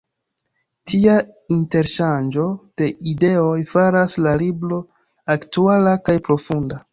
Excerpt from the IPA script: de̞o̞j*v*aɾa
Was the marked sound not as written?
yes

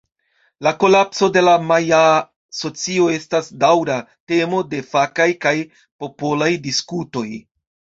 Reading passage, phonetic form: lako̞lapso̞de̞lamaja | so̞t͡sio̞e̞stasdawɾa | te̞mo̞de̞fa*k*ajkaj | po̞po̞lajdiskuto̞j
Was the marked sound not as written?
no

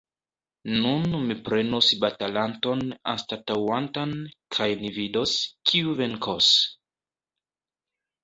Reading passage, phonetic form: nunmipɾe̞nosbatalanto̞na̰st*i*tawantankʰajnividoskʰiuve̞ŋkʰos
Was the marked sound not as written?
yes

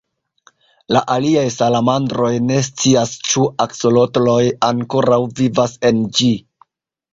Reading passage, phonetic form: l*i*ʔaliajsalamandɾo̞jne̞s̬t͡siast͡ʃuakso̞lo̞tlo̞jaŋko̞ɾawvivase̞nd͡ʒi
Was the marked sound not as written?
yes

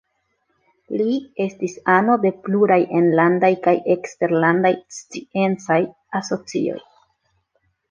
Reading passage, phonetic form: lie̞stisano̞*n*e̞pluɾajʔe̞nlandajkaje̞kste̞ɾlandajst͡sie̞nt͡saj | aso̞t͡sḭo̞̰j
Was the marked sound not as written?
yes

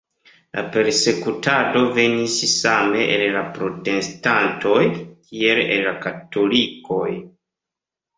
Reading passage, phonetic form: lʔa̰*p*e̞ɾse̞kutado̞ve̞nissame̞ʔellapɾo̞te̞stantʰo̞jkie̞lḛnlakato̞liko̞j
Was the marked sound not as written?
no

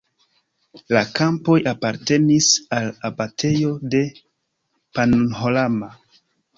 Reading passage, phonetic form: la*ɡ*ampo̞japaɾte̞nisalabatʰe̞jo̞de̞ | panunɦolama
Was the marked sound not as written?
yes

